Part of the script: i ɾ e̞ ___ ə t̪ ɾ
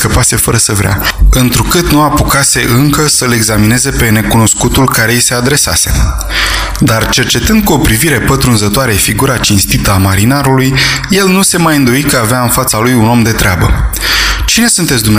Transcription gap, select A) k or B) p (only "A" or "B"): B